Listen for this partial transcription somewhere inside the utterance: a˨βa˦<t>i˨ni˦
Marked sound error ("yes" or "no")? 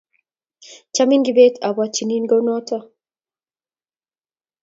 yes